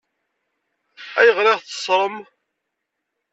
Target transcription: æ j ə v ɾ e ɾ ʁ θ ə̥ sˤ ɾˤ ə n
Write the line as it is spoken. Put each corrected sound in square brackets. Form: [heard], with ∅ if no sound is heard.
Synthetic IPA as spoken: æ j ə [ʁ] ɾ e [∅] ʁ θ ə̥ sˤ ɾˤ ə [m]